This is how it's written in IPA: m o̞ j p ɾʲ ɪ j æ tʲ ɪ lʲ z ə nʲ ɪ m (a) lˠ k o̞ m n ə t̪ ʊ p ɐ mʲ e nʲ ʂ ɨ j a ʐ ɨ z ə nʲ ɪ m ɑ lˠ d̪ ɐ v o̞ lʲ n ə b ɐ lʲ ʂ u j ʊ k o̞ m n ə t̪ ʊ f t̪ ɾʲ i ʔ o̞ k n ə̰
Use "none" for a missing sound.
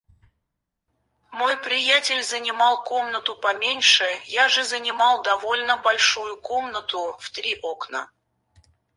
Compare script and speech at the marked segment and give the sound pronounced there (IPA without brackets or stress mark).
ɑ